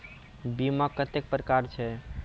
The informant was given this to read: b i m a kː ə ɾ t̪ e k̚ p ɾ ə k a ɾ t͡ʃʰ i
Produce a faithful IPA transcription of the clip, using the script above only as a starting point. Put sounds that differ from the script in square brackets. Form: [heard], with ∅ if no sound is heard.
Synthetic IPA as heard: b i m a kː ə [∅] t̪ e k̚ p ɾ ə k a ɾ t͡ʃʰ [ɛ]

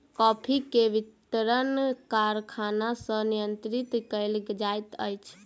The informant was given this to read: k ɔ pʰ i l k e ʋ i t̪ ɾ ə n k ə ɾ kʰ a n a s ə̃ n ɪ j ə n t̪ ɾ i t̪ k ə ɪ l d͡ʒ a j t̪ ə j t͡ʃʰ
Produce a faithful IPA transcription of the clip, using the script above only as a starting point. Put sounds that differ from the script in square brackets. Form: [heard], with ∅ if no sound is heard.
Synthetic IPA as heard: k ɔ pʰ i [∅] k e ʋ i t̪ ɾ ə n k [a] ɾ kʰ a n a s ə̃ n [i] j ə n t̪ ɾ i t̪ k ə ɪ l d͡ʒ a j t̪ ə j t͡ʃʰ

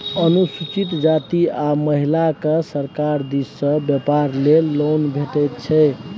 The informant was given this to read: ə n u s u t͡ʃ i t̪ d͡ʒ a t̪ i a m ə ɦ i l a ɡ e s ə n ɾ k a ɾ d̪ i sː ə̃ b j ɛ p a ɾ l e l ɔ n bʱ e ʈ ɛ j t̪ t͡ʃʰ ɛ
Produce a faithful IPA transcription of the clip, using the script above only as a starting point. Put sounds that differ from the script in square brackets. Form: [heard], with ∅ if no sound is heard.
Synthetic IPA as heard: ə n u s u t͡ʃ i t̪ d͡ʒ a t̪ i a m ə ɦ i l a [k] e s ə [∅] ɾ k a ɾ d̪ i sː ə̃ b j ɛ p a ɾ l e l [o] n bʱ e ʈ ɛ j t̪ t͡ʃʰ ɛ

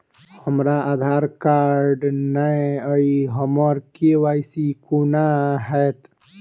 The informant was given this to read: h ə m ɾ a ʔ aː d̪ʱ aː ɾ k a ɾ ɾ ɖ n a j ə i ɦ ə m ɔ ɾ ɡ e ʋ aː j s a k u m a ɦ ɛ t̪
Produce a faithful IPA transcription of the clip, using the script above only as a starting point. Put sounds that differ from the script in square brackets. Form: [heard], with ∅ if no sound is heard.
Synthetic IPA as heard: h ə m ɾ a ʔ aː d̪ʱ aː ɾ k a ɾ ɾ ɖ n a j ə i ɦ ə m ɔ ɾ [k] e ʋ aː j s [i] k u [n] a ɦ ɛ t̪

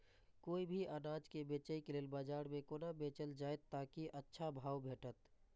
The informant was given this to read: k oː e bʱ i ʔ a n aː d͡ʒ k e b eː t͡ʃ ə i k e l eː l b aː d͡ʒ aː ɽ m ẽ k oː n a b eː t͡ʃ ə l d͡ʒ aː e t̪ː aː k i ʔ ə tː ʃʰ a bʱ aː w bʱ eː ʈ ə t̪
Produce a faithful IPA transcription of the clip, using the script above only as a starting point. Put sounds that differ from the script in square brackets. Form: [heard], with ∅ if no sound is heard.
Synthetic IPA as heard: k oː [i] bʱ i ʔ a n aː d͡ʒ k e b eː t͡ʃ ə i k e l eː l b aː d͡ʒ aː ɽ m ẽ k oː n a b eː t͡ʃ ə l d͡ʒ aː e t̪ː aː k i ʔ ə tː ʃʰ a bʱ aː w bʱ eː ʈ ə t̪

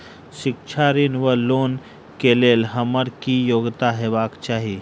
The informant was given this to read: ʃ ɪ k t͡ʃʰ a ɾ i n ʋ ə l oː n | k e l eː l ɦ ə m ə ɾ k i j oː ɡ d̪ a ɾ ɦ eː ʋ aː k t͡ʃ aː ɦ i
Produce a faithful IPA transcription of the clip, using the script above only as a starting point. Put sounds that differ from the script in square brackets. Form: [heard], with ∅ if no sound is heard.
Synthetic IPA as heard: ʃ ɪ k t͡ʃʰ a ɾ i n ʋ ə l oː n | k e l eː l ɦ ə m ə ɾ k i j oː ɡ [t̪] a [∅] ɦ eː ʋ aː k t͡ʃ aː ɦ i

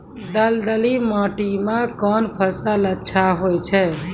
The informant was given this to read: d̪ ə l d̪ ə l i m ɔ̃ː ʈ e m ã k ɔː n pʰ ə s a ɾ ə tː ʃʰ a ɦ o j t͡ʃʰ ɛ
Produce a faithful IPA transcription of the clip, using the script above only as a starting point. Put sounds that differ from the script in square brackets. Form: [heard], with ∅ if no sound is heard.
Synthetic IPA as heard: d̪ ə l d̪ ə l i m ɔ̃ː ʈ [i] m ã k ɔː n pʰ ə s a [l] ə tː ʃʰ a ɦ o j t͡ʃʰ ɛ

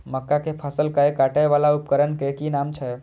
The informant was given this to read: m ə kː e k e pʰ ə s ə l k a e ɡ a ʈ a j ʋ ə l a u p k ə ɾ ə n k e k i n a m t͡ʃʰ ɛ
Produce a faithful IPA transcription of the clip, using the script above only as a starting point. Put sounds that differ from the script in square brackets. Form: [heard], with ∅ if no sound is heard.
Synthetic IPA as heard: m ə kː [a] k e pʰ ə s ə l k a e [k] a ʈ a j ʋ [a] l a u p k ə ɾ ə n k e k i n a m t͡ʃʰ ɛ

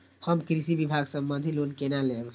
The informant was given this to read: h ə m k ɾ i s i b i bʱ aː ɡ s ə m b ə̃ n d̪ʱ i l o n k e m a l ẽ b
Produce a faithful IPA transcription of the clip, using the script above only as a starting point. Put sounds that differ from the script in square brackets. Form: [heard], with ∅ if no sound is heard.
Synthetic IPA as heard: h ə m k ɾ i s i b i bʱ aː ɡ s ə m b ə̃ n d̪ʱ i l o n k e [n] a l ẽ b

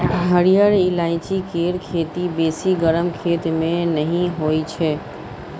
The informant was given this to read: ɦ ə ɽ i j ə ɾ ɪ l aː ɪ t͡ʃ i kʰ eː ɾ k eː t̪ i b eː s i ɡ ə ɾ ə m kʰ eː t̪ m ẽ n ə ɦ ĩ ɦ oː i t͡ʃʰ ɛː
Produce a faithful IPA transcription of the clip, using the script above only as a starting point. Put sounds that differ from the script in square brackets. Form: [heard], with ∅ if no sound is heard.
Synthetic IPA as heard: ɦ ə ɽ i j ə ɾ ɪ l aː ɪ t͡ʃ i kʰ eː ɾ [kʰ] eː t̪ i b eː s i ɡ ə ɾ ə m kʰ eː t̪ m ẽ n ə ɦ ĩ ɦ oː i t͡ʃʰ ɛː

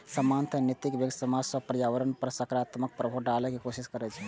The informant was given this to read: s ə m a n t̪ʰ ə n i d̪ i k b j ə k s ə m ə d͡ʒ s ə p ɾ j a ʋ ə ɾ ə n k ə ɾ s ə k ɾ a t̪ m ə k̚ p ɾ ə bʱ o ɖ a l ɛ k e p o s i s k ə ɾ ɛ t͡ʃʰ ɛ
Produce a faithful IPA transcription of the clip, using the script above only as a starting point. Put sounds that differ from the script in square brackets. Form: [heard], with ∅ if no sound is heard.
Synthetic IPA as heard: s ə m a n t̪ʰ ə n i [t̪] i k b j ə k s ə m [a] d͡ʒ s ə p ɾ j a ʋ ə ɾ ə n [p] ə ɾ s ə k ɾ a t̪ m ə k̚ p ɾ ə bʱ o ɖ a l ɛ k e [k] o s i s k ə ɾ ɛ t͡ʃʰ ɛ

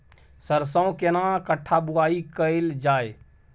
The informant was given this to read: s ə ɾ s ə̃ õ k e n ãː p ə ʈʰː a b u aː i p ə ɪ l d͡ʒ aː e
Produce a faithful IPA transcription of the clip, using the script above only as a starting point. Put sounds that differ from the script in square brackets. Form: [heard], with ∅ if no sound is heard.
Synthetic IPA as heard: s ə ɾ s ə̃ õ k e n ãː [k] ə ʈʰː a b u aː i [k] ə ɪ l d͡ʒ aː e

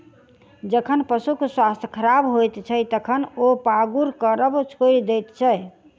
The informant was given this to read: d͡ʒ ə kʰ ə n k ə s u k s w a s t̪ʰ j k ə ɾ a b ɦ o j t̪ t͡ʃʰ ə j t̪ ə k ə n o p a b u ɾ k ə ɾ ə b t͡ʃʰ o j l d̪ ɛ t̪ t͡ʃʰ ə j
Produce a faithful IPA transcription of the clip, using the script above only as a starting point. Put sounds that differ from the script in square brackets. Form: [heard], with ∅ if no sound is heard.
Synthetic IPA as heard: d͡ʒ ə kʰ ə n [p] ə s u k s w a s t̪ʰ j [kʰ] ə ɾ a b ɦ o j t̪ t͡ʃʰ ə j t̪ ə [kʰ] ə n o p a [ɡ] u ɾ k ə ɾ ə b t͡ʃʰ o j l d̪ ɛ t̪ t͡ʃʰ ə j

